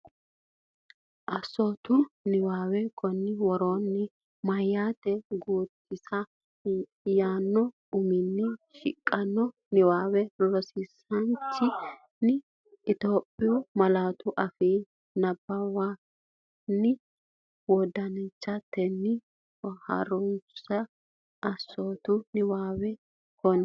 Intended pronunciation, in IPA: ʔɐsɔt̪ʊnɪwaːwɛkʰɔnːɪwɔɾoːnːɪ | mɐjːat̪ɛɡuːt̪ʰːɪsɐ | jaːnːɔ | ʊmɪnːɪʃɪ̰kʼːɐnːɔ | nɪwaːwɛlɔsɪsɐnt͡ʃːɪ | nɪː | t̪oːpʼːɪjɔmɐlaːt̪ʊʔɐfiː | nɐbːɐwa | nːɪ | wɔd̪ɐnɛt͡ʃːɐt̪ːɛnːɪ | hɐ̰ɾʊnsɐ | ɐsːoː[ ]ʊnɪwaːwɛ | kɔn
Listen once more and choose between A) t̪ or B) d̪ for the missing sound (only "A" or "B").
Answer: A